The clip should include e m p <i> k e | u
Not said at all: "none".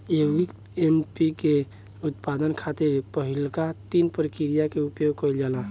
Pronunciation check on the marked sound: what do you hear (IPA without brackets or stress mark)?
i